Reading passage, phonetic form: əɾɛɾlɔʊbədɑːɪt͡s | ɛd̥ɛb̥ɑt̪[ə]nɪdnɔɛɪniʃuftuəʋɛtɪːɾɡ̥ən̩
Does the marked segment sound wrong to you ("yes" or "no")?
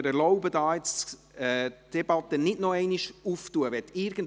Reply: no